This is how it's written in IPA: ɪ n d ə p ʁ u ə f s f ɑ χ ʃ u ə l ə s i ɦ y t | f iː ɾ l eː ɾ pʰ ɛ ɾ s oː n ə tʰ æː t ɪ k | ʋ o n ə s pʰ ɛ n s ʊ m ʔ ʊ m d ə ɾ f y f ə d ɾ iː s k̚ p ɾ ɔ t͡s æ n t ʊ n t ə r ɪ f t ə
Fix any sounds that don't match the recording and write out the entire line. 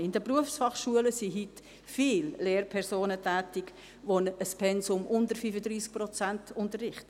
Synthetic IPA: ɪ n d ə p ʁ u ə f s f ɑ χ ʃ u ə l ə s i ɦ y t | f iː l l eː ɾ pʰ ɛ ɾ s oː n ə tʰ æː t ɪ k | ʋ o n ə s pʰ ɛ n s ʊ m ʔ ʊ n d ə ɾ f y f ə d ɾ iː s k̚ p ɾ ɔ t͡s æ n t ʊ n t ə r ɪ χ t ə